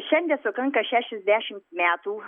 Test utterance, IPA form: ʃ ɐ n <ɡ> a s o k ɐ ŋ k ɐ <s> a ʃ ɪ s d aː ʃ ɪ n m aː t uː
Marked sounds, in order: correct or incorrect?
incorrect: d, incorrect: ʃ

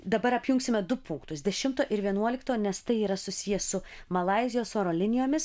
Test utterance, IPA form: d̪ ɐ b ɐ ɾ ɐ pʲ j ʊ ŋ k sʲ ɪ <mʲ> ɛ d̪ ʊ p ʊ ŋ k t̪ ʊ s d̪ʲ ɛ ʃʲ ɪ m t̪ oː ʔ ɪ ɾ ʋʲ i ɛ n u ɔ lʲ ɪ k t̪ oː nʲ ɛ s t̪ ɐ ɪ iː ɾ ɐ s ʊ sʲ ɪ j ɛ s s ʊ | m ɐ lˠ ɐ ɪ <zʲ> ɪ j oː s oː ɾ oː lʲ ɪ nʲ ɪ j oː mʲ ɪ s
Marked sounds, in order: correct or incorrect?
correct, correct

